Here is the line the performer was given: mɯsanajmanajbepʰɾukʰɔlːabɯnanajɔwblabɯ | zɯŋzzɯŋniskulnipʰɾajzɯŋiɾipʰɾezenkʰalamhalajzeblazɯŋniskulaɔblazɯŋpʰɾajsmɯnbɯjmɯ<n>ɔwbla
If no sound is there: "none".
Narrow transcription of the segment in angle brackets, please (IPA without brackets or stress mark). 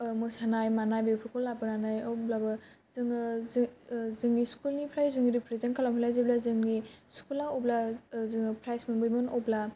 n